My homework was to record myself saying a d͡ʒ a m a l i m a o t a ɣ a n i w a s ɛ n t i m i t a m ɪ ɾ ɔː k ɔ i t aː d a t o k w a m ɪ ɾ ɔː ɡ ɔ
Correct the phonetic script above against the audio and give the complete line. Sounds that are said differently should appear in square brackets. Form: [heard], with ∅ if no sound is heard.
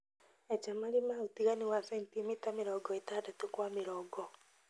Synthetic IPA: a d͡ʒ a m a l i m a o t [i] ɣ a n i w a s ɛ n t i m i t a m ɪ ɾ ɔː [ɡ] ɔ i t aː d a t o k w a m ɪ ɾ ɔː ɡ ɔ